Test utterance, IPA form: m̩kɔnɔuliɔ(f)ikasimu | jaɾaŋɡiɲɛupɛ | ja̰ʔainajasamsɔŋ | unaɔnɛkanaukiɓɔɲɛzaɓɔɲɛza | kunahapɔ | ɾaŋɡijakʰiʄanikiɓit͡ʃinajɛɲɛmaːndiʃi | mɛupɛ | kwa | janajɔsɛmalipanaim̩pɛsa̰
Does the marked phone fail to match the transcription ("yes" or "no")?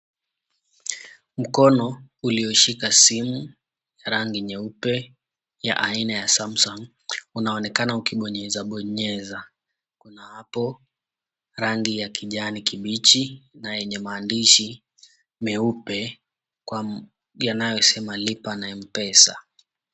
yes